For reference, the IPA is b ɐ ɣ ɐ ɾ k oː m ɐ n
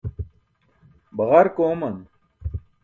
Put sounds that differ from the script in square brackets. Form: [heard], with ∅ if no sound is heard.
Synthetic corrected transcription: b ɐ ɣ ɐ ɾ k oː m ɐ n